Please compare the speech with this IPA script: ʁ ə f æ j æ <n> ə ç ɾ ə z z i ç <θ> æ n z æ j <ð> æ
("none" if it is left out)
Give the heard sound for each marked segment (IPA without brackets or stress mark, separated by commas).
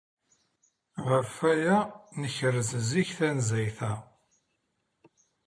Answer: n, θ, θ